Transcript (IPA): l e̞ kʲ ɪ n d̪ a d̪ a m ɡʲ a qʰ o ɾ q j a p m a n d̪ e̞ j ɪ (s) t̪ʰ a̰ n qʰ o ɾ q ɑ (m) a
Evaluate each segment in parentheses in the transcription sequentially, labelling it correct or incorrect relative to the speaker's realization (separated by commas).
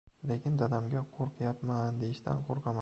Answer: incorrect, correct